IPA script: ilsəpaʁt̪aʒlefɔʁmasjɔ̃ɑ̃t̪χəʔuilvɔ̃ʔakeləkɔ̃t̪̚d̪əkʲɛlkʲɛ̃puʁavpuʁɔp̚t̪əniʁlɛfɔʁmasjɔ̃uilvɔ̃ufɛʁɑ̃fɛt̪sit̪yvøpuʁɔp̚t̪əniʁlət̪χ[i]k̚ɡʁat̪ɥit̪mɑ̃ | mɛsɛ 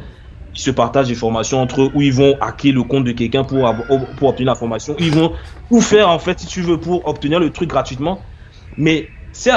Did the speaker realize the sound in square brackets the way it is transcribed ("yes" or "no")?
no